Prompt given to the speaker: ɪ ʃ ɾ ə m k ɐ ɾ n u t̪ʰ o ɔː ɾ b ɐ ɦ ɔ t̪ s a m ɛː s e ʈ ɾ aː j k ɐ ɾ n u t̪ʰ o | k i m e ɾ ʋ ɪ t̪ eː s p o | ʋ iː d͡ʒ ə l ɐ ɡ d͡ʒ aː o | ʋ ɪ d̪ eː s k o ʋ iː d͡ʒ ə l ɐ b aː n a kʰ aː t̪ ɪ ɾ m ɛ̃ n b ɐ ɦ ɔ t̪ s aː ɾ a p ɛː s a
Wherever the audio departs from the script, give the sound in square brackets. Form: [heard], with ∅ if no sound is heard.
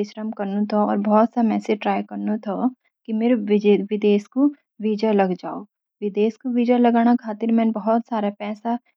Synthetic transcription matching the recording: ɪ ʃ ɾ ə m k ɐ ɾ n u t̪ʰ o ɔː ɾ b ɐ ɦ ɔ t̪ s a m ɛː s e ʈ ɾ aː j k ɐ ɾ n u t̪ʰ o | k i m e ɾ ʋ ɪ [d̪] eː s [k] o | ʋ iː d͡ʒ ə l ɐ ɡ d͡ʒ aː o | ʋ ɪ d̪ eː s k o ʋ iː d͡ʒ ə l ɐ [ɡ] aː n a kʰ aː t̪ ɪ ɾ m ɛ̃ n b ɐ ɦ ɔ t̪ s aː ɾ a p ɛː s a